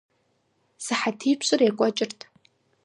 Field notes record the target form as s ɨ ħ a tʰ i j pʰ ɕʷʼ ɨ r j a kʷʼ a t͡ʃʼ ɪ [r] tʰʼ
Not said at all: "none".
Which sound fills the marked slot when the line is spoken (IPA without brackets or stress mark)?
r